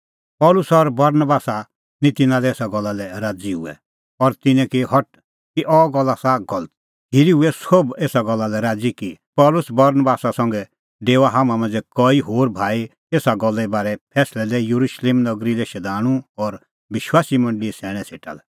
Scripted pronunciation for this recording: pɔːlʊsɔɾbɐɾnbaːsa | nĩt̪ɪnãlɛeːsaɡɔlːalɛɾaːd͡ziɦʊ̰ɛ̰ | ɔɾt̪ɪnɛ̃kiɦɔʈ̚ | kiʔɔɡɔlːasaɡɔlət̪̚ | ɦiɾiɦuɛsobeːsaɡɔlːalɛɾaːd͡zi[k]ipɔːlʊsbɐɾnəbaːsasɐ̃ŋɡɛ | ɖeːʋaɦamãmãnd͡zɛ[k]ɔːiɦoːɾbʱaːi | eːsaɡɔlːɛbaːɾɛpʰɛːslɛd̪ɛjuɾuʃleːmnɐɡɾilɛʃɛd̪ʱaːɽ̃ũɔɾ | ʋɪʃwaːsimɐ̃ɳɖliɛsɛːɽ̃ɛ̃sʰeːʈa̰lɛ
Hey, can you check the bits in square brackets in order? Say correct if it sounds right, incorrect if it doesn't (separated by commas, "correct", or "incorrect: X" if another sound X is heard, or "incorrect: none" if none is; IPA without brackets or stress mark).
correct, correct